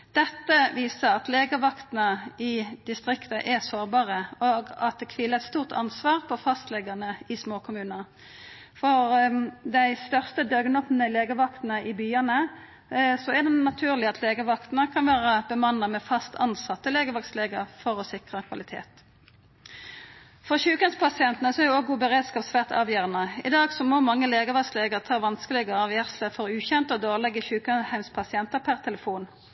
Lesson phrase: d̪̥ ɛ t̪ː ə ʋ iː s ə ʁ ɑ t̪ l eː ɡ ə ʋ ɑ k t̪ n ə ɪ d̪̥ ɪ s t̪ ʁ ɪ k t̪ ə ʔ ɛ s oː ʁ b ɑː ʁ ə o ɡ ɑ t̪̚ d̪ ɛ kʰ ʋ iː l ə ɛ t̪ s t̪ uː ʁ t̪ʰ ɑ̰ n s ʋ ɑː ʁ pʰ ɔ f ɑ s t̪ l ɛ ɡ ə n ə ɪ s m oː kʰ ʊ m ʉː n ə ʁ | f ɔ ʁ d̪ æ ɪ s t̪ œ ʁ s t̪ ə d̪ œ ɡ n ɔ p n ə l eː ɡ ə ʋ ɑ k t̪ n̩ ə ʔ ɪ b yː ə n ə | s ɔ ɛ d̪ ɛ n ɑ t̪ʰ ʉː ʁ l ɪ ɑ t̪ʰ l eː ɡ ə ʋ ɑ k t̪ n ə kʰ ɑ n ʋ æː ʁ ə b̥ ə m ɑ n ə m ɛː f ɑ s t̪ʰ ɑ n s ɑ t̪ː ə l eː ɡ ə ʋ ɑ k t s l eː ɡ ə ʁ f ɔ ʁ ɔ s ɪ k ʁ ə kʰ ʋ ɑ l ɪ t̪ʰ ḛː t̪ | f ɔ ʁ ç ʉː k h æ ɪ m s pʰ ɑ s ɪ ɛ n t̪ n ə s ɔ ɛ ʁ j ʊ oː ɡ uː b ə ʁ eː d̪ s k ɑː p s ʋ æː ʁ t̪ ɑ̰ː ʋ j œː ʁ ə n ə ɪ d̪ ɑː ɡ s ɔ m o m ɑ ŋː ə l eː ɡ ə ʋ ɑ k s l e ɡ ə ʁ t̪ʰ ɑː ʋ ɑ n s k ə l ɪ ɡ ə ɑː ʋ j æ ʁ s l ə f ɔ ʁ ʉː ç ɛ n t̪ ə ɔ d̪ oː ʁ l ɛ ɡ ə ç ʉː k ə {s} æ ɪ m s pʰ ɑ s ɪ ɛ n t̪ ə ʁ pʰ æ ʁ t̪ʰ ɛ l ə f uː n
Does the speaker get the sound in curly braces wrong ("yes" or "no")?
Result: yes